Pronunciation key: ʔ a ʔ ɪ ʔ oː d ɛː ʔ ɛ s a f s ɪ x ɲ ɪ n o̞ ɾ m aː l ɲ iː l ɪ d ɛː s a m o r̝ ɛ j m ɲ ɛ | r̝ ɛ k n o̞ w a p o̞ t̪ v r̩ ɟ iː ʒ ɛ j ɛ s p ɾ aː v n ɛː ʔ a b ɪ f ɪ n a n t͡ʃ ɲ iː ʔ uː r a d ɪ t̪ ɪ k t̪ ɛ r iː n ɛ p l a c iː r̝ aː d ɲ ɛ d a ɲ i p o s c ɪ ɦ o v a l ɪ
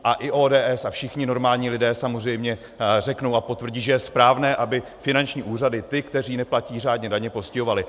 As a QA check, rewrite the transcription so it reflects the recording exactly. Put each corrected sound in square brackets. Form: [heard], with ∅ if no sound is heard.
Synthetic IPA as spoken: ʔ a ʔ ɪ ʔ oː d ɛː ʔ ɛ s a f [ʃ] ɪ x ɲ ɪ n o̞ ɾ m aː l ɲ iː l ɪ d ɛː s a m o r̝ ɛ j m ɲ ɛ | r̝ ɛ k n o̞ w a p o̞ t̪ v r̩ ɟ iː ʒ ɛ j ɛ s p ɾ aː v n ɛː ʔ a b ɪ f ɪ n a n t͡ʃ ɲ iː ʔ uː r a d ɪ t̪ ɪ k t̪ ɛ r iː n ɛ p l a c iː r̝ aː d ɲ ɛ d a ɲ [ɛ] p o s c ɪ ɦ o v a l ɪ